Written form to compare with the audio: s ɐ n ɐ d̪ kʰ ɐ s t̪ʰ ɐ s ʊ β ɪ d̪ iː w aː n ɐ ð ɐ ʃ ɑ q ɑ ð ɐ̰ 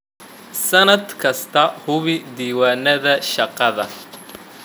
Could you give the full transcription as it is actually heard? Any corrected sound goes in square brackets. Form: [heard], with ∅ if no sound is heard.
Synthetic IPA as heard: s ɐ n ɐ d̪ kʰ ɐ s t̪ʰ ɐ [h] ʊ β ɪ d̪ iː w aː n ɐ ð ɐ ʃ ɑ q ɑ ð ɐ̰